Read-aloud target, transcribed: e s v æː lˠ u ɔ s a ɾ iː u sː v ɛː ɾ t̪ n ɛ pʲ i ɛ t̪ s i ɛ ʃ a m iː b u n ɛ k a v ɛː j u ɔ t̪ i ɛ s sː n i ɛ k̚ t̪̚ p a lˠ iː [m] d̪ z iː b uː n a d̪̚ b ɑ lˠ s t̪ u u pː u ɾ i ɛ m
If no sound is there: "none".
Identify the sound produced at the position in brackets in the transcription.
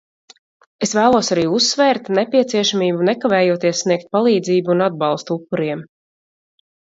none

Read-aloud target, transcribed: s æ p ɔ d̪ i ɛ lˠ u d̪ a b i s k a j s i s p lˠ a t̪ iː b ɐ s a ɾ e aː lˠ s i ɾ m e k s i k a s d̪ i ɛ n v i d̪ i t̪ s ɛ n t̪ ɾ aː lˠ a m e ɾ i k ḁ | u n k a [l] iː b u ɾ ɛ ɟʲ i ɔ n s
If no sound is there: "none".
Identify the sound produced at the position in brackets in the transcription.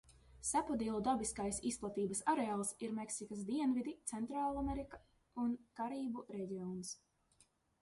ɾ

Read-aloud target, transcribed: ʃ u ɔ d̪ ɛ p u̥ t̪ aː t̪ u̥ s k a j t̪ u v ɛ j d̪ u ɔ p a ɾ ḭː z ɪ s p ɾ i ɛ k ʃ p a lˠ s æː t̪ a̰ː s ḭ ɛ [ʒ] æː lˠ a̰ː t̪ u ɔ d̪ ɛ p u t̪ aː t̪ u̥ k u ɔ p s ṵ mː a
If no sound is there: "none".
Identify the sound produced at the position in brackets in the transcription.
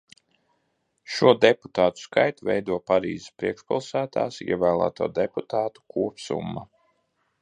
v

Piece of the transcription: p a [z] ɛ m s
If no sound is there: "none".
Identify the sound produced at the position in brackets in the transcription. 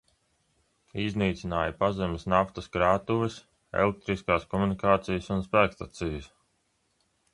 z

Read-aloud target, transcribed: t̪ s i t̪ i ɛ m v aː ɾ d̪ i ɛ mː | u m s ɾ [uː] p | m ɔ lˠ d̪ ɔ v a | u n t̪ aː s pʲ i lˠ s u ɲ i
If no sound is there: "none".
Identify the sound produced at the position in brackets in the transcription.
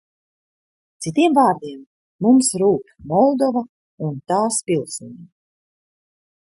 uː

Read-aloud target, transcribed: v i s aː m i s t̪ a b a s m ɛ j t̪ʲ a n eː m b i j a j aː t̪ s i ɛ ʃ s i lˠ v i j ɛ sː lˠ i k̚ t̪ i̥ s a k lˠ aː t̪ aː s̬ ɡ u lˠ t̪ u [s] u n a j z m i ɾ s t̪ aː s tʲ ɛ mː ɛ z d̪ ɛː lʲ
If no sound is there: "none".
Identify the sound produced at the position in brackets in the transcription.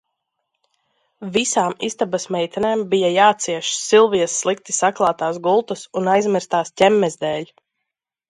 s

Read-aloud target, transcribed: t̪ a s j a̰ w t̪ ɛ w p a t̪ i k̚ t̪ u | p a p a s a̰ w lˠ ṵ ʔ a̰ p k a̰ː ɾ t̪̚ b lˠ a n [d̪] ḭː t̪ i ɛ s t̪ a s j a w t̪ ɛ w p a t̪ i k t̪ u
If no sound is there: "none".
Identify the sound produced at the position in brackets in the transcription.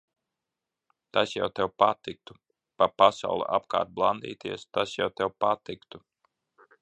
d̪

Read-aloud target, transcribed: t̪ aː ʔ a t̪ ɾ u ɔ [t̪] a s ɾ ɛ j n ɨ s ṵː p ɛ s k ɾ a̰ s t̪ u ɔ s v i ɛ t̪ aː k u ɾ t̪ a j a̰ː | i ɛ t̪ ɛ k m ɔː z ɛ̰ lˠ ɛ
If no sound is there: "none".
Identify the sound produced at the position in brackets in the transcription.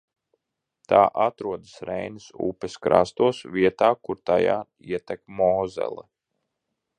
d̪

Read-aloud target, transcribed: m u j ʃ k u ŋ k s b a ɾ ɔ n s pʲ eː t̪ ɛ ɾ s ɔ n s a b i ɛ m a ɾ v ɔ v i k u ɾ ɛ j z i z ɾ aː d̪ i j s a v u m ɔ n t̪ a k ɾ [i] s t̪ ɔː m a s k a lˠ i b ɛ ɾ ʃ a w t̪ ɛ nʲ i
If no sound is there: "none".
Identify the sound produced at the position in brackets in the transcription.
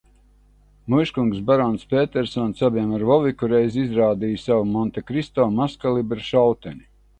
i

